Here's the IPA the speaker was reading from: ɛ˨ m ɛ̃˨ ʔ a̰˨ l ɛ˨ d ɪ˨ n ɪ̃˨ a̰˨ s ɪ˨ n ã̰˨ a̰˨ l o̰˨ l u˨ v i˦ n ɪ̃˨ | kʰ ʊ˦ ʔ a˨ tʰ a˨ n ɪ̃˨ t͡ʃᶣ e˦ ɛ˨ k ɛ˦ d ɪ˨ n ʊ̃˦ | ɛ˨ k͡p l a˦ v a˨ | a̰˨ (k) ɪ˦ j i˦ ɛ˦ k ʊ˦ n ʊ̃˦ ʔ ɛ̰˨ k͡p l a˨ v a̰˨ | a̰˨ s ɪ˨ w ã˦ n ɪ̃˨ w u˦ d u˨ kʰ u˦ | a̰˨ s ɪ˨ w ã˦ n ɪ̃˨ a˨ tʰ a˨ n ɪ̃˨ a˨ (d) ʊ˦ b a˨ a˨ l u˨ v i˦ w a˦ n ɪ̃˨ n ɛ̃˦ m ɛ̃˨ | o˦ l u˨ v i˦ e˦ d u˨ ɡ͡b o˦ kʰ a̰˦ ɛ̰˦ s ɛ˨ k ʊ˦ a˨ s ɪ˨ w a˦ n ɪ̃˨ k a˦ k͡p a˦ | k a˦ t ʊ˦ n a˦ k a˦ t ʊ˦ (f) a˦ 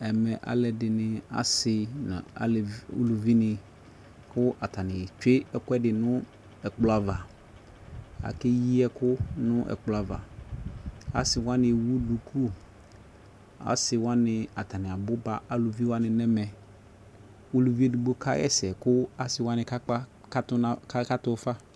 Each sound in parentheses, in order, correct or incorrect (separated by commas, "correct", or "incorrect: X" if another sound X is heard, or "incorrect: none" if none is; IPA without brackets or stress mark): correct, incorrect: b, correct